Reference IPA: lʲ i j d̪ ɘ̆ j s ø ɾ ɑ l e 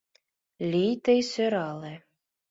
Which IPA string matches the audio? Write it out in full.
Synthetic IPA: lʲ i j t̪ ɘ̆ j s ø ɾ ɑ l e